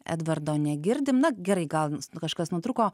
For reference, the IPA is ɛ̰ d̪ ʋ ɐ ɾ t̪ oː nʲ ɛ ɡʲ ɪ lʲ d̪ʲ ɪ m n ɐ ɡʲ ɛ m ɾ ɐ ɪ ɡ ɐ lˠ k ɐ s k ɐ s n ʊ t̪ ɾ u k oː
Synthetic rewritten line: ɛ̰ d̪ ʋ ɐ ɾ d̪ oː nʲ ɛ ɡʲ ɪ ɾʲ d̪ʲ ɪ m n ɐ ɡʲ ɛ ɾ ɐ ɪ ɡ ɐ lˠ k ɐ ʃ k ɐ s n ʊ t̪ ɾ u k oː